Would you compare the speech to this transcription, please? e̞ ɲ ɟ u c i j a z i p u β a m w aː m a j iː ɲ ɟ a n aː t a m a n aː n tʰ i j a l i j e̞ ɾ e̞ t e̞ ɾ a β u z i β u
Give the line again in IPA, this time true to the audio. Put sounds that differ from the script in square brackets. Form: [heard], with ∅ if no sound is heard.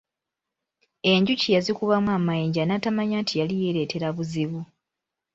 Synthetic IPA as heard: e̞ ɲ ɟ u c i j a z i [k] u β a m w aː m a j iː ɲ ɟ a n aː t a m a [ɲ] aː n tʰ i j a l i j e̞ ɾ e̞ t e̞ ɾ a β u z i β u